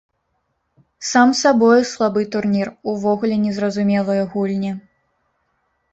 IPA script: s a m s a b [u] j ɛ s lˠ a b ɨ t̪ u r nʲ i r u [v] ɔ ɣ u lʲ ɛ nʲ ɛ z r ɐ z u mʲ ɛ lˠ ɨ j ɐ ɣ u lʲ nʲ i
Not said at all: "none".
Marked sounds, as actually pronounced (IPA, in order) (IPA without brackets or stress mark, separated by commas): ɔ, v